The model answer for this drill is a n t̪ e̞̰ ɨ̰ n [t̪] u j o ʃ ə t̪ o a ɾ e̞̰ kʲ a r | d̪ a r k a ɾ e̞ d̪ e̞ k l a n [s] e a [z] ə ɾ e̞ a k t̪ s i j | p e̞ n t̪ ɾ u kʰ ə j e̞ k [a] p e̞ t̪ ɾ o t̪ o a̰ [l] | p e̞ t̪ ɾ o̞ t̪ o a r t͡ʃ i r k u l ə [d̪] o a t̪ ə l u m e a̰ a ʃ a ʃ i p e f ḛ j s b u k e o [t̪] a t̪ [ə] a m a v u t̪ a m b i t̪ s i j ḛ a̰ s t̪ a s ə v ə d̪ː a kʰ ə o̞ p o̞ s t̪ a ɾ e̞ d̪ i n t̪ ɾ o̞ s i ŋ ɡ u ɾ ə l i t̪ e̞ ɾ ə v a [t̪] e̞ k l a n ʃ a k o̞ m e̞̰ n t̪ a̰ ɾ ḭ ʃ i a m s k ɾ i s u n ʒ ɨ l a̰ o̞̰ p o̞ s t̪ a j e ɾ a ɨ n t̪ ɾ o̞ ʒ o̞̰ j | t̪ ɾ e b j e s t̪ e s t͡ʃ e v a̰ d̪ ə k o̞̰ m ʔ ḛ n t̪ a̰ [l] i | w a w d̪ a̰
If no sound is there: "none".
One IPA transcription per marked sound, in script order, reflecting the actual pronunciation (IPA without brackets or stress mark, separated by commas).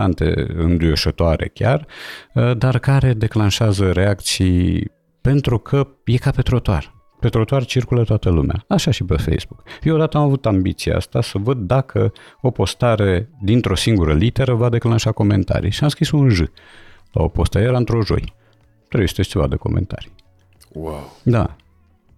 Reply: d̪, ʃ, z, a, r, t̪, d̪, ə, d̪, ɾ